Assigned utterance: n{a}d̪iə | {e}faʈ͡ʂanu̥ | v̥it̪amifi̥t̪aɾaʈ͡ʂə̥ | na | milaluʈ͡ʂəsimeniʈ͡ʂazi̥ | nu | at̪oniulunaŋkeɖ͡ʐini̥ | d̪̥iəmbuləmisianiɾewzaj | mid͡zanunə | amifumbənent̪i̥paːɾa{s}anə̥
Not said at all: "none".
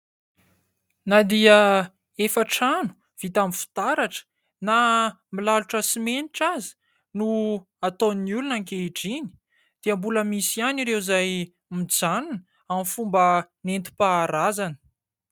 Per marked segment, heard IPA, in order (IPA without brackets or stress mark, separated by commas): a, e, z